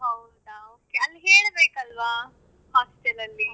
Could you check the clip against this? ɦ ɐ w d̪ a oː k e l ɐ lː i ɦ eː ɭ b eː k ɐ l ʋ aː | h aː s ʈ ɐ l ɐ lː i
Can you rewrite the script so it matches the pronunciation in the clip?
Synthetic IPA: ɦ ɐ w d̪ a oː k e ɐ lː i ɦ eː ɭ b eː k ɐ l ʋ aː | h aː s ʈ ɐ l ɐ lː i

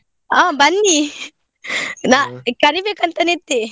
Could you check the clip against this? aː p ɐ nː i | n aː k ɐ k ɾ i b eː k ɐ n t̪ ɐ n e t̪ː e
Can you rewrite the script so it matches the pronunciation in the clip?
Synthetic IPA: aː b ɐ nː i | n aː k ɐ ɾ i b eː k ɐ n t̪ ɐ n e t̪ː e

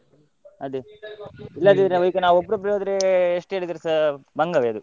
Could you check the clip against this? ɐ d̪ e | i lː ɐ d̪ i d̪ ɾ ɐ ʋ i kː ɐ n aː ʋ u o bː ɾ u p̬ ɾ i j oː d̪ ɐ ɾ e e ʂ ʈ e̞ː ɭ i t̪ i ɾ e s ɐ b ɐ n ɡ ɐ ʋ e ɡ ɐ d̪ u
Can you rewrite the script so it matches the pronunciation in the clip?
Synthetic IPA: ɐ d̪ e | i lː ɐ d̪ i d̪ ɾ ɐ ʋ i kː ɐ n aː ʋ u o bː ɾ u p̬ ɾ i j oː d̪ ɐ ɾ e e ʂ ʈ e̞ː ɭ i d̪ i ɾ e s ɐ b ɐ ŋ ɡ ɐ ʋ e ɐ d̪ u

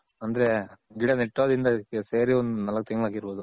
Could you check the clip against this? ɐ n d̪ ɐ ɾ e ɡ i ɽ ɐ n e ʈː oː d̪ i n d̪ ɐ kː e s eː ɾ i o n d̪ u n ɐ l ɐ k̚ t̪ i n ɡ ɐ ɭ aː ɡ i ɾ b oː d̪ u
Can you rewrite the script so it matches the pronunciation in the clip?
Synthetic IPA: ɐ n d̪ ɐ ɾ e ɡ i ɽ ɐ n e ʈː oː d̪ i n d̪ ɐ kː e s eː ɾ i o n d̪ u n ɐ l ɐ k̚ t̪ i ŋ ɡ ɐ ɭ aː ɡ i ɾ b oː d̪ u

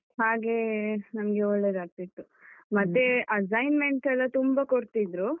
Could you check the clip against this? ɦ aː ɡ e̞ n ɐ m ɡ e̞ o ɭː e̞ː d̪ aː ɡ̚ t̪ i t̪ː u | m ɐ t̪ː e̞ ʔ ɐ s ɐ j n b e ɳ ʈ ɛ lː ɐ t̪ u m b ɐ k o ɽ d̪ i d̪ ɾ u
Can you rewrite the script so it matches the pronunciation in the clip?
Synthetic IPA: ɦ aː ɡ e̞ n ɐ m ɡ e̞ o ɭː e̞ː d̪ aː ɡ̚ t̪ i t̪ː u | m ɐ t̪ː e̞ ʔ ɐ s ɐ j n m e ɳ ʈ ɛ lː ɐ t̪ u m b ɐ k o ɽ t̪ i d̪ ɾ u

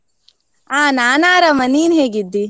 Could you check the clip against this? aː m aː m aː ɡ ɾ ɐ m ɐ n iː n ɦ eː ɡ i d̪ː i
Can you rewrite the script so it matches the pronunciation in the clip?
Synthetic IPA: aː n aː n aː ɾ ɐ m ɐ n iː n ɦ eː ɡ i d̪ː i

